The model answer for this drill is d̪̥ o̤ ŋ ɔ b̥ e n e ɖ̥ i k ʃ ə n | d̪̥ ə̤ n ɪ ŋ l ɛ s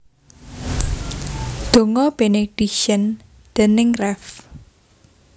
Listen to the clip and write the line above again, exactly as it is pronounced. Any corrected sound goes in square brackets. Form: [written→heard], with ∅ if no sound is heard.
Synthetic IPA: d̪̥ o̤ ŋ ɔ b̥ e n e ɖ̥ i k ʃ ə n | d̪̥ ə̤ n ɪ ŋ [l→r] ɛ [s→f]